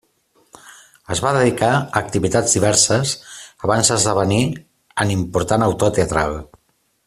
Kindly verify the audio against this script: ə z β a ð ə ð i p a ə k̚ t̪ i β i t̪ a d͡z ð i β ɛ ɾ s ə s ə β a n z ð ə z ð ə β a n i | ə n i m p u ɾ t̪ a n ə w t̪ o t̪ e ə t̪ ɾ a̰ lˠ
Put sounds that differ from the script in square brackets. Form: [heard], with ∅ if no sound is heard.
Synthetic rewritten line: ə z β a ð ə ð i [k] a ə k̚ t̪ i β i t̪ a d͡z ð i β ɛ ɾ s ə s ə β a n z ð ə z ð ə β [ə] n i | ə n i m p u ɾ t̪ a n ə w t̪ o t̪ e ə t̪ ɾ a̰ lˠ